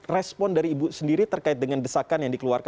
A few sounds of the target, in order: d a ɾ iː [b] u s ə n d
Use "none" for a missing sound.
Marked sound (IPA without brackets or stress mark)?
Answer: b